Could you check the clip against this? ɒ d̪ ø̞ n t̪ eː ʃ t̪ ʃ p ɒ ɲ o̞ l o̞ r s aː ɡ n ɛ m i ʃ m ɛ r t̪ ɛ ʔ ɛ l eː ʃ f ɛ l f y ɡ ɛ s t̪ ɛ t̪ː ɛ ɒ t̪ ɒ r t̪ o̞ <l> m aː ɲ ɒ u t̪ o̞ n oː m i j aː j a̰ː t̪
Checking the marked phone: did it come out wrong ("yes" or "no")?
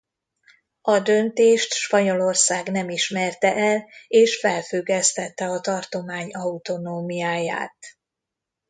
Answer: yes